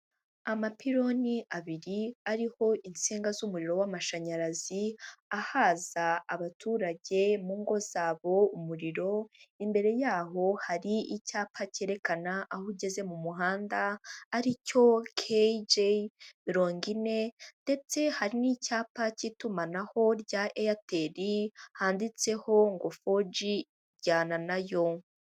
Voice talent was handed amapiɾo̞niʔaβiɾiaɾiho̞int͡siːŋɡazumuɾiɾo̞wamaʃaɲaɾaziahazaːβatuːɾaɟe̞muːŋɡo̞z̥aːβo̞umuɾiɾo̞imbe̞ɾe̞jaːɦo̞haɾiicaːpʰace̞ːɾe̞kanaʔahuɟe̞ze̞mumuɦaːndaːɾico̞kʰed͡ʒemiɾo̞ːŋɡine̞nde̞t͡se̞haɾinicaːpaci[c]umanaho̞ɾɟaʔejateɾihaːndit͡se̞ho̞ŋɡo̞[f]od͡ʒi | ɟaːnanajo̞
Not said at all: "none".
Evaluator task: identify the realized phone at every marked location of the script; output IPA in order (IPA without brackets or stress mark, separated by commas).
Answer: t, f